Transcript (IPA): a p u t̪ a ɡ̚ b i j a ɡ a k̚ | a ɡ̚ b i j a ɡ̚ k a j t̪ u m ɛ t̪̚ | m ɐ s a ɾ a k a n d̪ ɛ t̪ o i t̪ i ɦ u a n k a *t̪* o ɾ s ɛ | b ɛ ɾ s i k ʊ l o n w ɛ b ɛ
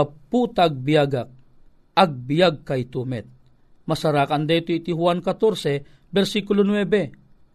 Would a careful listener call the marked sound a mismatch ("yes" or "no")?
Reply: no